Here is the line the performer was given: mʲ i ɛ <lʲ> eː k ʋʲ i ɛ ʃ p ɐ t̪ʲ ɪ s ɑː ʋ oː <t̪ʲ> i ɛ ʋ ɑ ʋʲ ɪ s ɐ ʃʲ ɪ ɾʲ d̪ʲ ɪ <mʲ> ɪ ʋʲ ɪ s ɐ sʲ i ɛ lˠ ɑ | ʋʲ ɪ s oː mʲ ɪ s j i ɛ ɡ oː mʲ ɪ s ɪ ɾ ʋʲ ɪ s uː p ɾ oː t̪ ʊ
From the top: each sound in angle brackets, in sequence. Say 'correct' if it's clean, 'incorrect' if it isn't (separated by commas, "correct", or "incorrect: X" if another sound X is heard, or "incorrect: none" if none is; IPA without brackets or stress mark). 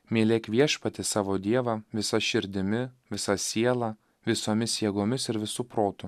correct, incorrect: d̪ʲ, correct